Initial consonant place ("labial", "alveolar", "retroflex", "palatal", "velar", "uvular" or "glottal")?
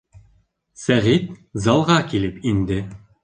alveolar